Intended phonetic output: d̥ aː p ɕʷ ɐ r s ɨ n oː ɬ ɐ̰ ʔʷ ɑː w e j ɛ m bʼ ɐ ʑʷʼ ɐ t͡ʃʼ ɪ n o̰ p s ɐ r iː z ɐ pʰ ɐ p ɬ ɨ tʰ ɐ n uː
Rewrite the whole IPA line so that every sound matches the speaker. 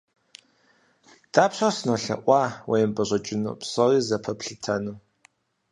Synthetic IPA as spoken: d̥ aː p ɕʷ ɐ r s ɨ n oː ɬ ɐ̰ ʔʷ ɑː w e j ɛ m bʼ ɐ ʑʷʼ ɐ t͡ʃʼ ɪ n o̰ p s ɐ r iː z ɐ pʰ ɐ p ɬ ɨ tʰ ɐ n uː